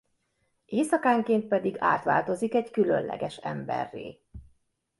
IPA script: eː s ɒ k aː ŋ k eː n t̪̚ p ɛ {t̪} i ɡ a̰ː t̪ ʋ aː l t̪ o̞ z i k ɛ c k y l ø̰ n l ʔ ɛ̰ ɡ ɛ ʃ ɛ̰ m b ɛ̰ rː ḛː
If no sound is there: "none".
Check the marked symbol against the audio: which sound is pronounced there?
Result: d̪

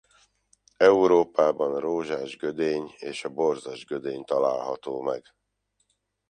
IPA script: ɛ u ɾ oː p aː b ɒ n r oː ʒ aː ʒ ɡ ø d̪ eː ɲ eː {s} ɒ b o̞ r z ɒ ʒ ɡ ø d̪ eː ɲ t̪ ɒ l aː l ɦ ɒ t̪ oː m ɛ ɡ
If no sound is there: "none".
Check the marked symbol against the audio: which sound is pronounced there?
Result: ʃ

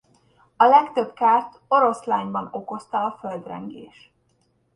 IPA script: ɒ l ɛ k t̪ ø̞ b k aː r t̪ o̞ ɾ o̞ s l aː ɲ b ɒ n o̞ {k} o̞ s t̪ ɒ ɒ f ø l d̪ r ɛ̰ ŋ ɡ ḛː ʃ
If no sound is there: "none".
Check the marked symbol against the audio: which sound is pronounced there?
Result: k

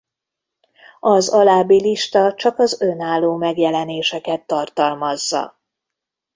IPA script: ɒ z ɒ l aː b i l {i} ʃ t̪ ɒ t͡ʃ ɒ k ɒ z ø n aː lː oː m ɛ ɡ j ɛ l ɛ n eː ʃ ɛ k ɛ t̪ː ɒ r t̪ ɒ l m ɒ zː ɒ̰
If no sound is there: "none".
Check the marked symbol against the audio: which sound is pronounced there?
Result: i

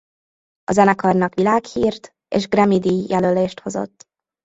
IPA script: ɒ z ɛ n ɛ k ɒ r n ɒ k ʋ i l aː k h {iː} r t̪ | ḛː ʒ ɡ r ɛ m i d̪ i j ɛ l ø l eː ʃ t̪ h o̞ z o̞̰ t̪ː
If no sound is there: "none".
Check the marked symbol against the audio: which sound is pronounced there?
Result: iː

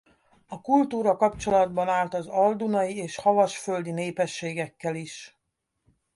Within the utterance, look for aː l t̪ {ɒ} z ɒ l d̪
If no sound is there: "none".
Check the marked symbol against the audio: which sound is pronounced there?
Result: ɒ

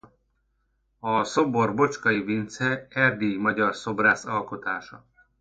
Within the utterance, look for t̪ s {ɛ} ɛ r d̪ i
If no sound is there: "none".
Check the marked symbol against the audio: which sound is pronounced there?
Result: ɛ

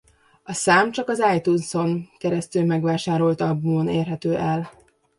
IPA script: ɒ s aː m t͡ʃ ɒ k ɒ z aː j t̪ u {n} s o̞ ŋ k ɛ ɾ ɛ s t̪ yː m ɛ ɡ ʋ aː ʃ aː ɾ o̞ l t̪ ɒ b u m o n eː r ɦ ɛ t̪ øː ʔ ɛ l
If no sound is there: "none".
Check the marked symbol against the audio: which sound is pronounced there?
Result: n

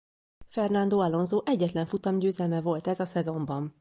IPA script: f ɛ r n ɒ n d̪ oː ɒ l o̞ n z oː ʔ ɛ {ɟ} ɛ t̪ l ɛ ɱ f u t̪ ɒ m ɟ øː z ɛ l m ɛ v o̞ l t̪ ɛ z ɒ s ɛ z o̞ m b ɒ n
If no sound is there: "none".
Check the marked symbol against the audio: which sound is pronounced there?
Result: ɟː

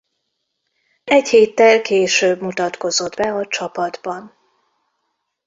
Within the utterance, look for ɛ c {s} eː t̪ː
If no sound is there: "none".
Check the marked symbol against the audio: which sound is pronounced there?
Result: h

